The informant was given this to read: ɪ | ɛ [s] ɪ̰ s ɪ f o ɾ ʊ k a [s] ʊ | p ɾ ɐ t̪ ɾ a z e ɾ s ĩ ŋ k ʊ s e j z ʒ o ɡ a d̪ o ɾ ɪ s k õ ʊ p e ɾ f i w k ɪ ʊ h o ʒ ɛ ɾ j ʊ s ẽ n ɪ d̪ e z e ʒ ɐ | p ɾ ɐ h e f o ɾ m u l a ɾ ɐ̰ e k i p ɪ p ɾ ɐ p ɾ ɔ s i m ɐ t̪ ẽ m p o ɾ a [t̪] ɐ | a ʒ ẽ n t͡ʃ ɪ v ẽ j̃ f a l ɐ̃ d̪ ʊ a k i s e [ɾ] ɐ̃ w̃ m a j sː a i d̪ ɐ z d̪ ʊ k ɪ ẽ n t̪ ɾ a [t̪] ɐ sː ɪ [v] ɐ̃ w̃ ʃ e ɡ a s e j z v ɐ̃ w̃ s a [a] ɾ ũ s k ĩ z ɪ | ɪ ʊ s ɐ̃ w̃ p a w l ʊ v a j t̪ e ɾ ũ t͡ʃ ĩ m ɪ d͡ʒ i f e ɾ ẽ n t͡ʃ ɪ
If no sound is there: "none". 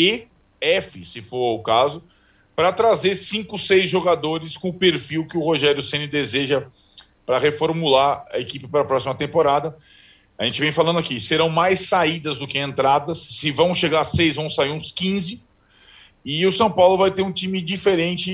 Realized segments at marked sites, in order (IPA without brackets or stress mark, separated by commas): f, z, d̪, ɾ, d̪, v, i